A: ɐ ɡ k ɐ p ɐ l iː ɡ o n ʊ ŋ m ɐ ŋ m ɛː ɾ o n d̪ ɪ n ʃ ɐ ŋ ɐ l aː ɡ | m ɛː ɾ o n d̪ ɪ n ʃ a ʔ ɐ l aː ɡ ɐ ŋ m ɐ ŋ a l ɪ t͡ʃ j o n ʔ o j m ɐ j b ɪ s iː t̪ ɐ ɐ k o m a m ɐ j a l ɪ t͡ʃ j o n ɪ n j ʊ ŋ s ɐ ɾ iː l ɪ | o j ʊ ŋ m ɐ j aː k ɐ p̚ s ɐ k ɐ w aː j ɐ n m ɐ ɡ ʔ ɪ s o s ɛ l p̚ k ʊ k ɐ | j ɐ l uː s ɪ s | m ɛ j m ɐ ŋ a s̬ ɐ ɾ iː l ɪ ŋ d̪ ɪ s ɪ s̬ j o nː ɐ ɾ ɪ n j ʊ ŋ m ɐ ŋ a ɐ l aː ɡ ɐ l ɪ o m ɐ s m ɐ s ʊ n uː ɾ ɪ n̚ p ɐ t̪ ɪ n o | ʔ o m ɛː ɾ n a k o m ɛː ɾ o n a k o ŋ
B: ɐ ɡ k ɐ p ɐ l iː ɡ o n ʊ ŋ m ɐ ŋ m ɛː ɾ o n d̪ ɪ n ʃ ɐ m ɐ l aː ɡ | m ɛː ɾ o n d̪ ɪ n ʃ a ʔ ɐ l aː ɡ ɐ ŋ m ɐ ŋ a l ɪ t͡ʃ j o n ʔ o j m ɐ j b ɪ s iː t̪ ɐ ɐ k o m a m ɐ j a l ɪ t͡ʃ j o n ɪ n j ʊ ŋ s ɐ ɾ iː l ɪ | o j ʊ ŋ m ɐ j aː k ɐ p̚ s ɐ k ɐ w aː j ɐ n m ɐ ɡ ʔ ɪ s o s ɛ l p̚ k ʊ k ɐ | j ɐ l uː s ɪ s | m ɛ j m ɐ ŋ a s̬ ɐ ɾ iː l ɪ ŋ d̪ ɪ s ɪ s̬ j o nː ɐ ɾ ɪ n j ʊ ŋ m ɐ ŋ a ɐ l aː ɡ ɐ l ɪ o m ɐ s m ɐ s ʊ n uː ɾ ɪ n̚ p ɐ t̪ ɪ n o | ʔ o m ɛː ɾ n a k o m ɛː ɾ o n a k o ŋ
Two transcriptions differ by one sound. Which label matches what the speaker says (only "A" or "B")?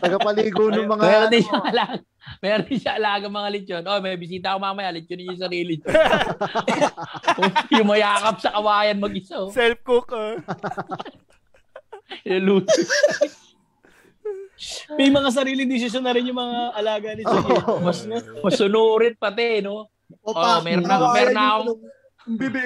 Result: A